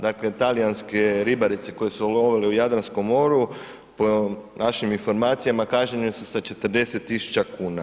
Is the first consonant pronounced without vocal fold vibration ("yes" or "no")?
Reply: no